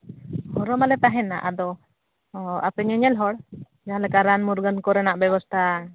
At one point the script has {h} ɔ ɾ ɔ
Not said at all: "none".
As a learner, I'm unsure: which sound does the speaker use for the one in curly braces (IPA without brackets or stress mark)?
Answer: h